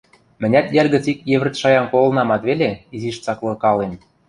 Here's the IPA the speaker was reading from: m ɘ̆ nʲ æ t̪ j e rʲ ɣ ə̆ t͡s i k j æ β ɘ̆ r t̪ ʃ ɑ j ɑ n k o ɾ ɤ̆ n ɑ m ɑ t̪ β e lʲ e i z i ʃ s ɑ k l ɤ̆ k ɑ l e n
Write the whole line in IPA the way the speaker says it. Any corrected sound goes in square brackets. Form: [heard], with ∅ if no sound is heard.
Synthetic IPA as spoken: m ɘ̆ nʲ æ t̪ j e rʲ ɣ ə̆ t͡s i k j [e] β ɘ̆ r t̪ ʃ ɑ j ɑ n k o [l] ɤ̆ n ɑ m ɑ t̪ β e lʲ e i z i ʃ [t͡s] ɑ k l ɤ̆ k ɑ l e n